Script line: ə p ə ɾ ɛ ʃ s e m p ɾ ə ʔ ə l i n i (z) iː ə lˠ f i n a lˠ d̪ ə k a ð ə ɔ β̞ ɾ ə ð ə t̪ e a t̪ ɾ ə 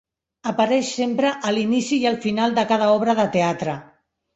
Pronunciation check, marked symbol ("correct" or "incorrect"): incorrect